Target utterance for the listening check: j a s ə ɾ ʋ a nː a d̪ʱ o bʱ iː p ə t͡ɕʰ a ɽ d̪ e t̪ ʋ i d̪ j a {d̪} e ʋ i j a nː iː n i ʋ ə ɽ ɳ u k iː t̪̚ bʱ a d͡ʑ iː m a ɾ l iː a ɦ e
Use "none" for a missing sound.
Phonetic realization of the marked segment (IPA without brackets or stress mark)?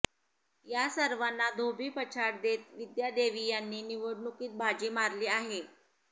d̪